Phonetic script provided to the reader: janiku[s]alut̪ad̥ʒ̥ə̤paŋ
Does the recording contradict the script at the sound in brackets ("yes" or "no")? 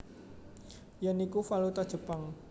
yes